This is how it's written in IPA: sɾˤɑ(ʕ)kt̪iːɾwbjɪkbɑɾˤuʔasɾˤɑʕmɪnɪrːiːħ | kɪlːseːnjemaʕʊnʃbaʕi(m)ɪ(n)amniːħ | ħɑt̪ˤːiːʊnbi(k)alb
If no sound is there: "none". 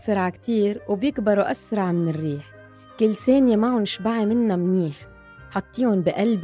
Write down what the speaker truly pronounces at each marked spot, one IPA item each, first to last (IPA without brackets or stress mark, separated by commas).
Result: ʕ, m, nː, ʔ